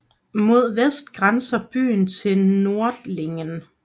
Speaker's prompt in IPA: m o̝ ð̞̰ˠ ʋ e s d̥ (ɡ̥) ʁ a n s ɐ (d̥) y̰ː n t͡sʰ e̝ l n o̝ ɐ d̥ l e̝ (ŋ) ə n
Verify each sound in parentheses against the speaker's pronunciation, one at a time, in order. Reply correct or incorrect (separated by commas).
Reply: correct, incorrect, correct